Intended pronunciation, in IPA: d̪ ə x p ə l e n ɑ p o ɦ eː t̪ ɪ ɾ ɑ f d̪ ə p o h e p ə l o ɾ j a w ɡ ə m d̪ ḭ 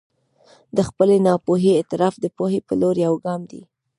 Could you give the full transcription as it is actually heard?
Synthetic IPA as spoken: d̪ ə x p ə l e n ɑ p o ɦ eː t̪ ɪ ɾ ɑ f d̪ ə p o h e p ə l o ɾ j a w ɡ ɑ m d̪ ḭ